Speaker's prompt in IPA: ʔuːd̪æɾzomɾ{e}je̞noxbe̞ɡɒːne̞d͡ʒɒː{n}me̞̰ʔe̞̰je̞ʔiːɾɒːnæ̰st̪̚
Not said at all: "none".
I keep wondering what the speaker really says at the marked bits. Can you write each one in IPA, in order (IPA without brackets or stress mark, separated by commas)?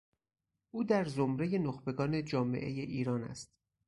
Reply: e, none